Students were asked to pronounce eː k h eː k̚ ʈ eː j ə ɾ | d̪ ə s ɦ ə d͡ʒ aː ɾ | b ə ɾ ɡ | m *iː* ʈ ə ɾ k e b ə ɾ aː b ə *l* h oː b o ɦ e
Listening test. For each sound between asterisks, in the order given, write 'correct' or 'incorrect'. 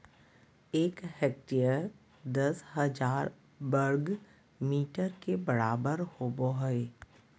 correct, incorrect: ɾ

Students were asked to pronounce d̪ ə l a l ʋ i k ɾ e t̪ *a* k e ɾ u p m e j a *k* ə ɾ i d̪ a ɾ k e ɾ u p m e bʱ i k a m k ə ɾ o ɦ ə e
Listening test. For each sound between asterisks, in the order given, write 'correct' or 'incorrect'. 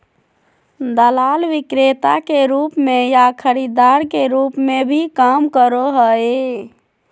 correct, incorrect: kʰ

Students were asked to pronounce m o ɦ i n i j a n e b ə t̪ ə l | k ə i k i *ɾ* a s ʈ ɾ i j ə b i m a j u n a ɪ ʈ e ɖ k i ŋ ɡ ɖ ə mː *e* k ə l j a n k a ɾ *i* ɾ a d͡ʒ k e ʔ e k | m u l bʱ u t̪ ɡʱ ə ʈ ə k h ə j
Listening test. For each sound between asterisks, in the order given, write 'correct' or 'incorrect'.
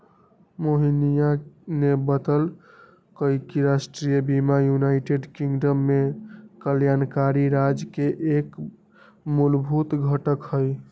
correct, correct, correct

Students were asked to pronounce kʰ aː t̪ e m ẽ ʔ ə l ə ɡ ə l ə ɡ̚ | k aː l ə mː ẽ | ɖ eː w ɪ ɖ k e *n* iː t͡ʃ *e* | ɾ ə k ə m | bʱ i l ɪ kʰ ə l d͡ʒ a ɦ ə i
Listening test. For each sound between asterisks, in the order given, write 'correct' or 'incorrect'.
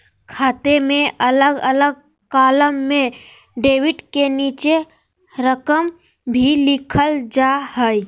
correct, correct

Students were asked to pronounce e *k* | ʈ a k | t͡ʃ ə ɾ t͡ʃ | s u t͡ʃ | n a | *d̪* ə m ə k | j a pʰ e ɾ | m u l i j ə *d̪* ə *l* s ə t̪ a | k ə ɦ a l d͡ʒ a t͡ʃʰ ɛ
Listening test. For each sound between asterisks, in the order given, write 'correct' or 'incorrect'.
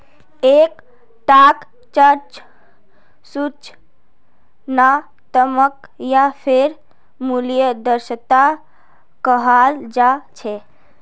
correct, incorrect: t̪, correct, incorrect: ɾ

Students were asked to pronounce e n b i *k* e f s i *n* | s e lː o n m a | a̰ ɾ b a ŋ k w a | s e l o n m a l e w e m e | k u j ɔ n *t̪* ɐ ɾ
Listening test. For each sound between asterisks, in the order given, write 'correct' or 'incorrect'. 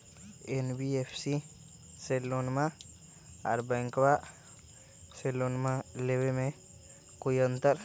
incorrect: none, incorrect: none, correct

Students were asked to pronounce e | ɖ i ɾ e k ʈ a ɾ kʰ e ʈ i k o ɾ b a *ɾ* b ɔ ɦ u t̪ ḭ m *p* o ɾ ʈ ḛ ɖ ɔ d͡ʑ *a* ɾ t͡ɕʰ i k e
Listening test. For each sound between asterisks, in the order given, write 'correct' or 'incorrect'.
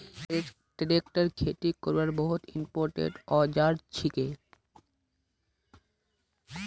correct, correct, correct

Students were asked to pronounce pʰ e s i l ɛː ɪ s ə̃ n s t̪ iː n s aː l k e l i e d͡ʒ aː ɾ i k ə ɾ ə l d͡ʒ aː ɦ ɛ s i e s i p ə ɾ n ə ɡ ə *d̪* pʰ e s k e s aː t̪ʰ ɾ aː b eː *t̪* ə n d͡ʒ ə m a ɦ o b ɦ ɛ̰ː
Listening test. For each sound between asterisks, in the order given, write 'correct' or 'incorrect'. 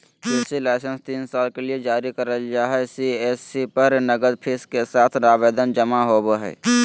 correct, incorrect: d̪

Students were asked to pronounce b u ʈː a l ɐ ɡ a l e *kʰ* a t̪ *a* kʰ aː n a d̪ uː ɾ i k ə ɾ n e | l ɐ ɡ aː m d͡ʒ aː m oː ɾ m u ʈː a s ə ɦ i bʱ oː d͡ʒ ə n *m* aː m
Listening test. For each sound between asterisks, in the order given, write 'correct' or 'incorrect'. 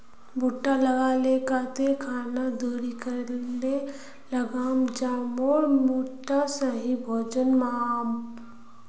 incorrect: k, incorrect: e, correct

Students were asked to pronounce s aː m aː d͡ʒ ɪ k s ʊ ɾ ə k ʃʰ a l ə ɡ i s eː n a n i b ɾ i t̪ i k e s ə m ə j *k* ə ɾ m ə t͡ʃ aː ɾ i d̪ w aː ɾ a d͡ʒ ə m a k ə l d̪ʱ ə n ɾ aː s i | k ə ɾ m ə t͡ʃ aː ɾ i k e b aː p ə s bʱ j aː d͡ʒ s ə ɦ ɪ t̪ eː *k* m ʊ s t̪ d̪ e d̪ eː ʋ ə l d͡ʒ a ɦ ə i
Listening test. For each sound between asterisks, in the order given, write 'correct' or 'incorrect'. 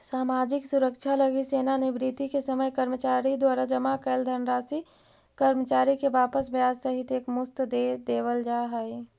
correct, correct

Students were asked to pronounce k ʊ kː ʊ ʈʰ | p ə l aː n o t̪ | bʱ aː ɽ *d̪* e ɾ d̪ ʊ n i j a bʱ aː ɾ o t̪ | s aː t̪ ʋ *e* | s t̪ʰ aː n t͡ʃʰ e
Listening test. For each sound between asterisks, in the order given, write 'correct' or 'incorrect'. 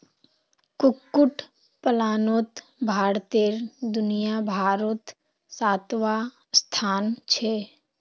incorrect: t̪, incorrect: a

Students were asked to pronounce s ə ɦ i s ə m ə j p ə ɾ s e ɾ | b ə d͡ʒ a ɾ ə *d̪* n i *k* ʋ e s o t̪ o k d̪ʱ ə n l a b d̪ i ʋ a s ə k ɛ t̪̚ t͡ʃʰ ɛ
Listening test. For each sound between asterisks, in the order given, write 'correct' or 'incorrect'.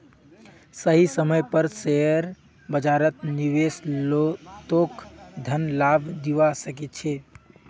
incorrect: t̪, incorrect: none

